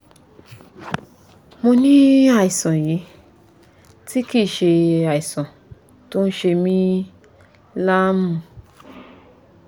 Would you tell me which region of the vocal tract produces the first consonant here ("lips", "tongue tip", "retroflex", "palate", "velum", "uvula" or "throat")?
lips